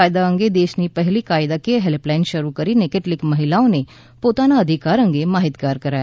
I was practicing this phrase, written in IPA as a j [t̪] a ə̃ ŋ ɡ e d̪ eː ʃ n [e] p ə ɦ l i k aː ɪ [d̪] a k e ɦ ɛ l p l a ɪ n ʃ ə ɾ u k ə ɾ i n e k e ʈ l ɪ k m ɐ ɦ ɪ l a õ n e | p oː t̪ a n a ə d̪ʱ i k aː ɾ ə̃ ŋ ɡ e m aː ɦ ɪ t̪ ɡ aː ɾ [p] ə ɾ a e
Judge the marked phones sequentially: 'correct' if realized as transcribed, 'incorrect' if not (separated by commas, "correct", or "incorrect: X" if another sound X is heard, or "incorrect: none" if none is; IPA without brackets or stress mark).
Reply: incorrect: d̪, incorrect: i, correct, incorrect: k